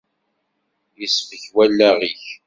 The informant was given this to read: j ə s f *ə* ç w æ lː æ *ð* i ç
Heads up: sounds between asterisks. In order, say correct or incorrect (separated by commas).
correct, incorrect